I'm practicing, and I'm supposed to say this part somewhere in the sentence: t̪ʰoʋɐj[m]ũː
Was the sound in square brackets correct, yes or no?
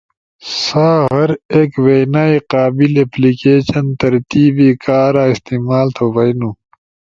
no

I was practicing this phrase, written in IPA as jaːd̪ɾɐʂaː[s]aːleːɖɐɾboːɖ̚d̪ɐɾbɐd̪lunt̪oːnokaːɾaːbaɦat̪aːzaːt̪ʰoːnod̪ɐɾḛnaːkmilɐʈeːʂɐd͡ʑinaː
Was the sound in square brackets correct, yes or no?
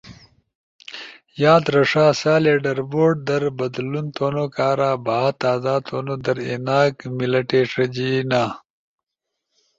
yes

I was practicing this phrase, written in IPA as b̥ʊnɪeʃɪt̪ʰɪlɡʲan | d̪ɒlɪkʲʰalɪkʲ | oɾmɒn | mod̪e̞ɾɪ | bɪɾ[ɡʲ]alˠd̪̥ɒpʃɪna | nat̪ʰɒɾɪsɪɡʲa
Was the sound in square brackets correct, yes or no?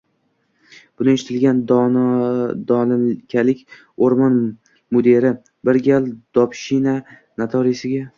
yes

